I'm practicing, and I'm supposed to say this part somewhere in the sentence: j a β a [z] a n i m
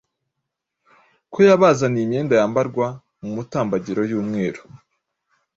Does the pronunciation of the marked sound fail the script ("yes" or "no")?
no